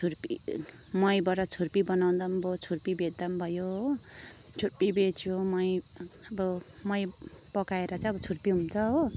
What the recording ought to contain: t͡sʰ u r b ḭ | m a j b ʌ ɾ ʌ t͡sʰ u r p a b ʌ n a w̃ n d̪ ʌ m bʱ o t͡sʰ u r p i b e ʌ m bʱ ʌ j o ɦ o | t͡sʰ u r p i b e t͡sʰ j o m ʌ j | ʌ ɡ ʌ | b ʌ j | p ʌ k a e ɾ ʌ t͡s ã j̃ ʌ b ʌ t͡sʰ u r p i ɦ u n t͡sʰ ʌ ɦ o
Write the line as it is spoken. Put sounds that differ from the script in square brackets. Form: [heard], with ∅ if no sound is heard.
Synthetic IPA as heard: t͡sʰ u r [p] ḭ | m [ʌ] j b ʌ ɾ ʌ t͡sʰ u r p [i] b ʌ n a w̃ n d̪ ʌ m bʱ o t͡sʰ u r p i b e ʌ m bʱ ʌ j o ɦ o | t͡sʰ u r p i b e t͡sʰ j o m ʌ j | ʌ [b] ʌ | [m] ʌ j | p ʌ k a e ɾ ʌ t͡s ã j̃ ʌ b ʌ t͡sʰ u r p i ɦ u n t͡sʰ ʌ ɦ o

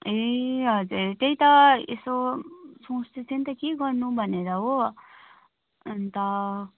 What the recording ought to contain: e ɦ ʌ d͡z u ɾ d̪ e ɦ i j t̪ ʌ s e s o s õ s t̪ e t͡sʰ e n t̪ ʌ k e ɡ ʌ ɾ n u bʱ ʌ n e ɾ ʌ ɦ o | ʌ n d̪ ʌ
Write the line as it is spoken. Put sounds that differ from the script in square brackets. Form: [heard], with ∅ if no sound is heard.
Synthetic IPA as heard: e ɦ ʌ d͡z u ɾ [t̪] e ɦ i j t̪ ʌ [∅] e s o s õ s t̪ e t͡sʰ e n t̪ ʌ k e ɡ ʌ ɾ n u bʱ ʌ n e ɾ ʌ ɦ o | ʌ n [t̪] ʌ

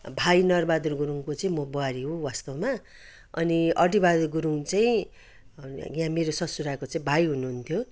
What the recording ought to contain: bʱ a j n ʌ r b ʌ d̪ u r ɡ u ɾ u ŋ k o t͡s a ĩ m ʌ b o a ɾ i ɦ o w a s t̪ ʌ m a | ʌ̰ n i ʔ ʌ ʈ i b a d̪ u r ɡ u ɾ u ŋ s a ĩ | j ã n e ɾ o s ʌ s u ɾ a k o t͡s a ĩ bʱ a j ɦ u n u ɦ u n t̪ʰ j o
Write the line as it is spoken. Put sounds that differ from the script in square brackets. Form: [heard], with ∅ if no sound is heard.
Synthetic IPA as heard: bʱ a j n ʌ r b [a] d̪ u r ɡ u ɾ u ŋ k o t͡s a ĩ m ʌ b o a ɾ i ɦ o w a s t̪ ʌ m a | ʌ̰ n i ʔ ʌ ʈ i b a d̪ u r ɡ u ɾ u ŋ [t͡s] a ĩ | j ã [m] e ɾ o s ʌ s u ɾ a k o t͡s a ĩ bʱ a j ɦ u n u ɦ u n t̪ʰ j o

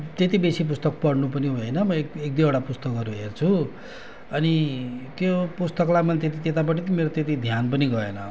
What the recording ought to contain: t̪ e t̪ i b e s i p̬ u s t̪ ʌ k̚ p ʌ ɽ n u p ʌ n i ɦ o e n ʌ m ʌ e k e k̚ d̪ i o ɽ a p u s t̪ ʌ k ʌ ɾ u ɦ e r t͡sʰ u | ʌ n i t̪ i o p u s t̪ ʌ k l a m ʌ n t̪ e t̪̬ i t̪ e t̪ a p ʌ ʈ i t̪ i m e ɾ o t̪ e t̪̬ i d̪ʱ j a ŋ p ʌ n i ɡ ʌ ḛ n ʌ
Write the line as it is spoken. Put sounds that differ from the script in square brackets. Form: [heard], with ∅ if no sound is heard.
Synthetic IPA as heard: t̪ e t̪ i b e s i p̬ u s t̪ ʌ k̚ p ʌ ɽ n u p ʌ n i ɦ o e n ʌ m ʌ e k e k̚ d̪ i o ɽ a p u s t̪ ʌ k ʌ ɾ u ɦ e r t͡sʰ u | ʌ n i t̪ [j] o p u s t̪ ʌ k l a m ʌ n t̪ e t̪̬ i t̪ e t̪ a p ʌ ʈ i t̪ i m e ɾ o t̪ e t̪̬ i d̪ʱ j a [n] p ʌ n i ɡ ʌ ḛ n ʌ

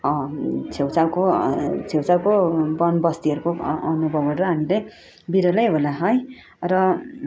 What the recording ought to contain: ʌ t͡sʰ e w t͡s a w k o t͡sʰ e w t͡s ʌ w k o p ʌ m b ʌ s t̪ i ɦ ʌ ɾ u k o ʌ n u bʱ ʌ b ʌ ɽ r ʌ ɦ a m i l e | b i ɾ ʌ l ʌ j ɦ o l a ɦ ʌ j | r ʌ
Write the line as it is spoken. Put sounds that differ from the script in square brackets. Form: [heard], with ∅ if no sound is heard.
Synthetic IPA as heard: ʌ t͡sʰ e w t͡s a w k o t͡sʰ e w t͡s [a] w k o [b] ʌ [n] b ʌ s t̪ i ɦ ʌ ɾ u k o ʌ n u bʱ ʌ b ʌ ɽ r ʌ ɦ a m i l e | b i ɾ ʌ l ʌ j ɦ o l a ɦ ʌ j | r ʌ

